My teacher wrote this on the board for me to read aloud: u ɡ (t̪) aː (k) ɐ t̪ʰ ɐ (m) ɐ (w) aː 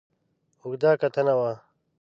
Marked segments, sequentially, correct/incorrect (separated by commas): incorrect, correct, incorrect, correct